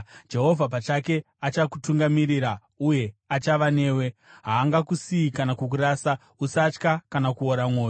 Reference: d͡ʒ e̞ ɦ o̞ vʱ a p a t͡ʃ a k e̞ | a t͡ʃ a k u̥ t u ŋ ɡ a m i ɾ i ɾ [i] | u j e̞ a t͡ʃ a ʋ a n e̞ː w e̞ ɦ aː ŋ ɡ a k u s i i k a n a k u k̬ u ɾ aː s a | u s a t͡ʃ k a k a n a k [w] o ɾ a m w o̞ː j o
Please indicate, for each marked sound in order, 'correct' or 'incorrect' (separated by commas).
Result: incorrect, incorrect